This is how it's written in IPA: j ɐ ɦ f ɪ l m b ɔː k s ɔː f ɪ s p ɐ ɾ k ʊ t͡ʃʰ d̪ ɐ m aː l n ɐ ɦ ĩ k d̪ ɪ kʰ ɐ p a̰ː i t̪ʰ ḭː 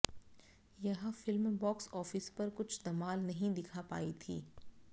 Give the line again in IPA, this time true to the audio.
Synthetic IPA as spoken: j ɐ ɦ f ɪ l m b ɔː k s ɔː f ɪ s p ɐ ɾ k ʊ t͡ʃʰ d̪ ɐ m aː l n ɐ ɦ ĩ d̪ ɪ kʰ a p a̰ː i t̪ʰ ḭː